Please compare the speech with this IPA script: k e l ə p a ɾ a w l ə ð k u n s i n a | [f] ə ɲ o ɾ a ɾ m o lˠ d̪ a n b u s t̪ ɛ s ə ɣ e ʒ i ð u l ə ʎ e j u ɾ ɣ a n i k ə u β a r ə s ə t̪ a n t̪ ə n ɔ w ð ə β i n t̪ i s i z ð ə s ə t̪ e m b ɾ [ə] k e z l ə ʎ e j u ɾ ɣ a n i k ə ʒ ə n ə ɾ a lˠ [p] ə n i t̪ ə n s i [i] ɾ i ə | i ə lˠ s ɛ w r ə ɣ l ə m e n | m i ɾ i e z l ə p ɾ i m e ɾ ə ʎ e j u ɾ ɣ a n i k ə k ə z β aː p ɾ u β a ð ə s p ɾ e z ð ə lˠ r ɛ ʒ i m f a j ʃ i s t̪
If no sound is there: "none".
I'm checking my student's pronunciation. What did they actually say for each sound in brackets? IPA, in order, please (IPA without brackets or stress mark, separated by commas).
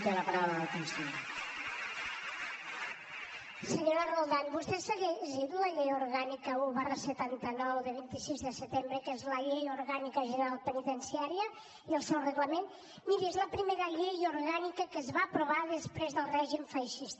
s, ə, p, a